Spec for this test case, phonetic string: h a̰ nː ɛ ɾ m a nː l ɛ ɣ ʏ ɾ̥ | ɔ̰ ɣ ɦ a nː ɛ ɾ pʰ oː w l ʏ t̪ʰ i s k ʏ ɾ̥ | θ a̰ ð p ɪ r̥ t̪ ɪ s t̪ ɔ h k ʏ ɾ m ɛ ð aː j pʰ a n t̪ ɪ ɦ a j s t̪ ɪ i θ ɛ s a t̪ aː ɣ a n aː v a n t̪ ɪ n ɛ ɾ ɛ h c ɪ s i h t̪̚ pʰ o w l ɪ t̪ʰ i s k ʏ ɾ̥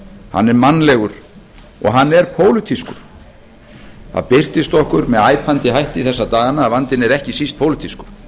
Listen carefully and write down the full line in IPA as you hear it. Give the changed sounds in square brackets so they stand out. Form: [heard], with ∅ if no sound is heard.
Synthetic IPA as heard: h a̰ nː ɛ ɾ m a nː l ɛ ɣ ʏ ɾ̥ | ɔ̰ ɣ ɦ a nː ɛ ɾ pʰ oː w l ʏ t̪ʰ i s k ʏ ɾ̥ | θ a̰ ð p ɪ r̥ t̪ ɪ s t̪ ɔ h k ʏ ɾ m ɛ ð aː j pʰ a n t̪ ɪ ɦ a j [h] t̪ ɪ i θ ɛ [sː] a t̪ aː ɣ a n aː v a n t̪ ɪ n ɛ ɾ ɛ h c ɪ s i [s] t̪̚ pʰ o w l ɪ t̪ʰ i s k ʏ ɾ̥

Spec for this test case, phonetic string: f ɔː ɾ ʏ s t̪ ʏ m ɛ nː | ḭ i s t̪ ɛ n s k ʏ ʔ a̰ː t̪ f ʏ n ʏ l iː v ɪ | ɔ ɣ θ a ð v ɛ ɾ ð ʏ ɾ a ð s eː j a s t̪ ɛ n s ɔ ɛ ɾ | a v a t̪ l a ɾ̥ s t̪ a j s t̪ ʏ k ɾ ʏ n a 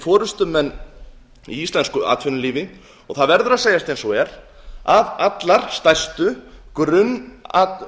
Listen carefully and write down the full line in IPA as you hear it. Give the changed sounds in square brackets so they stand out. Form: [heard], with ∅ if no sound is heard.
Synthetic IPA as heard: f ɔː ɾ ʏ s t̪ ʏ m ɛ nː | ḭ i s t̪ ɛ n s k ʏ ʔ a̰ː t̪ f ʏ n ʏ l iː v ɪ | ɔ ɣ θ a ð v ɛ ɾ ð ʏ ɾ a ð s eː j a s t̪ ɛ n s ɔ ɛ ɾ | a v a t̪ l a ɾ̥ s t̪ a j s t̪ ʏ k ɾ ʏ n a

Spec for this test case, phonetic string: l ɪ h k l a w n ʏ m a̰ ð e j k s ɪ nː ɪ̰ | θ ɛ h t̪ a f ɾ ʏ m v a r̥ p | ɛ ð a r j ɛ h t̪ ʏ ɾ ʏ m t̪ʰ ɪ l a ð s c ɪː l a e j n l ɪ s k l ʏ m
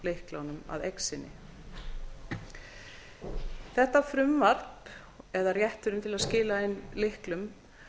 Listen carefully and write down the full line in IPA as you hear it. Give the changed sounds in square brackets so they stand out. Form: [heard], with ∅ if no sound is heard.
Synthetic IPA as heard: l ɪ h k l a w n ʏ m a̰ ð e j k s ɪ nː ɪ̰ | θ ɛ h t̪ a f ɾ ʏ m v a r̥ p | ɛ ð a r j ɛ h t̪ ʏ ɾ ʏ m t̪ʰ ɪ l a ð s c ɪː l a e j n l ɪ [h] k l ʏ m

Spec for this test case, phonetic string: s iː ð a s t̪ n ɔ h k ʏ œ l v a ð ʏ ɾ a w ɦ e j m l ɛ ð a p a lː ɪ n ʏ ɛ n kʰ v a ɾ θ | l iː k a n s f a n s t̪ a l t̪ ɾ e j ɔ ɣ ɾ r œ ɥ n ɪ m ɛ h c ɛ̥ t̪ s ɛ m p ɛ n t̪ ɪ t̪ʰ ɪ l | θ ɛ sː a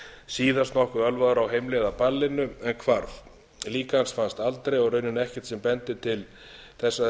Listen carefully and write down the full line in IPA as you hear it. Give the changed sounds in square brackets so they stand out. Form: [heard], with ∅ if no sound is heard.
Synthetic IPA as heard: s iː ð a s t̪ n ɔ h k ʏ œ l v a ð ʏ ɾ a w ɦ e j m l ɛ ð a p a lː ɪ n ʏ ɛ n kʰ v a ɾ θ | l iː k a n s f a n s t̪ a l t̪ ɾ e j ɔ ɣ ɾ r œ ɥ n ɪ [n] ɛ h c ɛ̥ t̪ s ɛ m p ɛ n t̪ ɪ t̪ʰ ɪ l | θ ɛ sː a

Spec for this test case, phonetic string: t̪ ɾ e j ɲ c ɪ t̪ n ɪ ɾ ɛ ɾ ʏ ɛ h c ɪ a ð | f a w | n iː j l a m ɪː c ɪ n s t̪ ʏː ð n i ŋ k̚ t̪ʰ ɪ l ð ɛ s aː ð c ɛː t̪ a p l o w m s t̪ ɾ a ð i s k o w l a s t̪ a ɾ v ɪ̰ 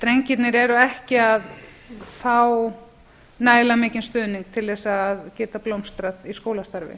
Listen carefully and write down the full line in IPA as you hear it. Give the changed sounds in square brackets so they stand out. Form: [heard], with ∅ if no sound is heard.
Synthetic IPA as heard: t̪ ɾ e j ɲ c ɪ t̪ n ɪ ɾ ɛ ɾ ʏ ɛ h c ɪ a ð | f a w | n [aː] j l a m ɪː c ɪ n s t̪ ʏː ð n i ŋ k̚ t̪ʰ ɪ l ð ɛ s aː ð c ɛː t̪ a p l o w m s t̪ ɾ a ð i s k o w l a s t̪ a ɾ v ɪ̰

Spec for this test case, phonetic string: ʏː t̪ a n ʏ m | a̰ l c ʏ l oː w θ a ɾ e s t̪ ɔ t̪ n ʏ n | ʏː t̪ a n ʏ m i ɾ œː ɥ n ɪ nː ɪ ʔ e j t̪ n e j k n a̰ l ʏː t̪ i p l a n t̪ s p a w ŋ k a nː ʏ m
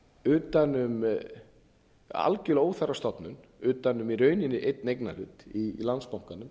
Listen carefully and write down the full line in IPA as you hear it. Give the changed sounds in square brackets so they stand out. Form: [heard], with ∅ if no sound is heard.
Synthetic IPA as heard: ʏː t̪ a n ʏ m | a̰ l c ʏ l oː w θ a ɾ [a] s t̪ ɔ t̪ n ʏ n | ʏː t̪ a n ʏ m i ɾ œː ɥ n ɪ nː ɪ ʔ e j t̪ n e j k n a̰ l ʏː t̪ i [∅] l a n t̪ s p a w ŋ k a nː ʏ m

